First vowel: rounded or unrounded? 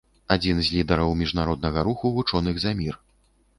unrounded